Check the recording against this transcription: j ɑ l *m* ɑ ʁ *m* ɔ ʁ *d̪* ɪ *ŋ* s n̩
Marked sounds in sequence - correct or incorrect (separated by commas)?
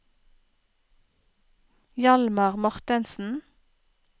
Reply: correct, correct, incorrect, incorrect